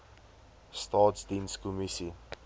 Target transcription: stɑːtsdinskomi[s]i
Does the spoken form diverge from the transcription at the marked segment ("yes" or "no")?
no